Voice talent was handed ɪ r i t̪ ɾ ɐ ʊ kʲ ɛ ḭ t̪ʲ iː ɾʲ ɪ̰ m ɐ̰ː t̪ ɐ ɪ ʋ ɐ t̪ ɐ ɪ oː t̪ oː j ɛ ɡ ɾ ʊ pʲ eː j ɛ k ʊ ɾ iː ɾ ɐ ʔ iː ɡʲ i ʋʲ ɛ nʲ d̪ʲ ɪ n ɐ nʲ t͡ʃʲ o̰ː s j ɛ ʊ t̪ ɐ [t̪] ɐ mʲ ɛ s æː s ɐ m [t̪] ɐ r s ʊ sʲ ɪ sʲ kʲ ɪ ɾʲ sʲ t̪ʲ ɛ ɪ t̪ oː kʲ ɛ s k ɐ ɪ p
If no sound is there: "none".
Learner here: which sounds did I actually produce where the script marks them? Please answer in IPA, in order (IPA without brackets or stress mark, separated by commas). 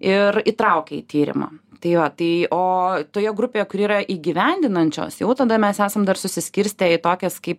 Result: d̪, d̪